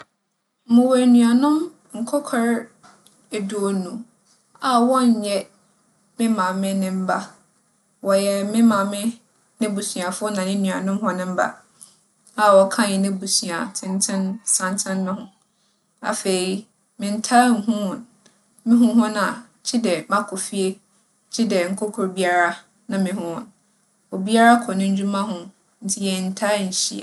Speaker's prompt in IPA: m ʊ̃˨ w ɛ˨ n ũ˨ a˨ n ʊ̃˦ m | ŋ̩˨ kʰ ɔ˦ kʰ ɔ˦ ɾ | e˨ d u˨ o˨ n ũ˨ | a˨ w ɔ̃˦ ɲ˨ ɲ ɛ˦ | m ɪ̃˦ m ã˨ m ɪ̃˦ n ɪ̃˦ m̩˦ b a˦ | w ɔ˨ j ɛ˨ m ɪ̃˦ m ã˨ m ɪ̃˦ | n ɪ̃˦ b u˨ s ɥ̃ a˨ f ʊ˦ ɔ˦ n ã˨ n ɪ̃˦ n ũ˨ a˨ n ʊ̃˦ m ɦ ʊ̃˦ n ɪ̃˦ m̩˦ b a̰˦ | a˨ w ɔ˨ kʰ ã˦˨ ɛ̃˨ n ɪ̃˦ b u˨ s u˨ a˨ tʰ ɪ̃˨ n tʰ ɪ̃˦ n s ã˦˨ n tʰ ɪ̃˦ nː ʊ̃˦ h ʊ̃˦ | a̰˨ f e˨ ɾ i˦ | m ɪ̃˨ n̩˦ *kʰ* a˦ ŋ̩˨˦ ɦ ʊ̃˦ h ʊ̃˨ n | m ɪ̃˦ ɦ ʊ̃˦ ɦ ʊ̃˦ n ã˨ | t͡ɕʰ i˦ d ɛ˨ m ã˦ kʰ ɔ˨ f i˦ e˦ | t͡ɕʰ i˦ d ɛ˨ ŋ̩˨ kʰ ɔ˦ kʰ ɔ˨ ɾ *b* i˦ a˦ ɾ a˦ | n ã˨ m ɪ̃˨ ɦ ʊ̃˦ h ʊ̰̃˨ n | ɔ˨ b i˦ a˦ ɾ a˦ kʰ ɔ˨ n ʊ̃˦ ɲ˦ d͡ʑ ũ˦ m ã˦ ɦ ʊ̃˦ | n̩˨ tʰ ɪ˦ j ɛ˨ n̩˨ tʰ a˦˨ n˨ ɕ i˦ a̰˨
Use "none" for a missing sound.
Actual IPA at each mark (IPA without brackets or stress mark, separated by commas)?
tʰ, b